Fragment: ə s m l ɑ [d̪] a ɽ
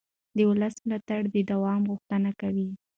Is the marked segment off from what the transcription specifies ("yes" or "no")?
yes